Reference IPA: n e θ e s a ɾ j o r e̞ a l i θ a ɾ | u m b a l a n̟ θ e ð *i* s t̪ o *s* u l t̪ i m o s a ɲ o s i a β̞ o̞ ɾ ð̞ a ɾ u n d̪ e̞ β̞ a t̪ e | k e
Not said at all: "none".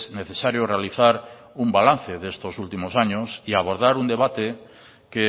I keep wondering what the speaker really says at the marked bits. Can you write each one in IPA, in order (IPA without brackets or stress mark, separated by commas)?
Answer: e, s